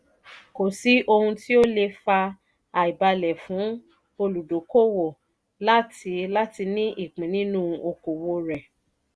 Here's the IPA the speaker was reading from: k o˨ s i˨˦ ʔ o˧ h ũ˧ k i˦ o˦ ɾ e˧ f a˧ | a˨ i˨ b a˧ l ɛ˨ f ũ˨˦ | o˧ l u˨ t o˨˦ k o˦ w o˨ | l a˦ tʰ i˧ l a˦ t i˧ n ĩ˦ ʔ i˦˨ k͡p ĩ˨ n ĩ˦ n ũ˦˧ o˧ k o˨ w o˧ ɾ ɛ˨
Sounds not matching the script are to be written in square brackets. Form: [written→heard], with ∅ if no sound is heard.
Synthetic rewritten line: k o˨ s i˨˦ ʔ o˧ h ũ˧ [k→t] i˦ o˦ [ɾ→l] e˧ f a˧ | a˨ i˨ b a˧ l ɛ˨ f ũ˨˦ | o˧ l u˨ [t→d] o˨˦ k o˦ w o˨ | l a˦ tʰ i˧ l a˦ t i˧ n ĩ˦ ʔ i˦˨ k͡p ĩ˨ n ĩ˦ n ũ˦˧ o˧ k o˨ w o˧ ɾ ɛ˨